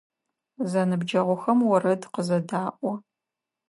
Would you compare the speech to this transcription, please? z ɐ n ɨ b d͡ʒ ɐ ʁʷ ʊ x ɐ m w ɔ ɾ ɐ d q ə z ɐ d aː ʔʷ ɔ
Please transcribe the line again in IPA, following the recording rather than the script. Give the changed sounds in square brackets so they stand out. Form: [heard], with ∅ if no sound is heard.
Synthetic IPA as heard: z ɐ n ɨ b d͡ʒ ɐ ʁʷ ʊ x ɐ m w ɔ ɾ ɐ d q ə z ɐ d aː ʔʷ ɔ